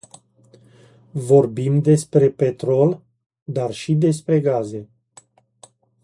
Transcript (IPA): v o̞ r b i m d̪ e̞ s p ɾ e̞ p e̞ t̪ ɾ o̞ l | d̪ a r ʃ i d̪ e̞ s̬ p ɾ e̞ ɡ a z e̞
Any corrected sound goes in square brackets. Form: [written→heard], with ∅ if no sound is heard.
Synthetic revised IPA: v o̞ r b i m d̪ e̞ s p ɾ e̞ p e̞ t̪ ɾ o̞ l | d̪ a r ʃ i d̪ e̞ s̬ p ɾ e̞ ɡ a z e̞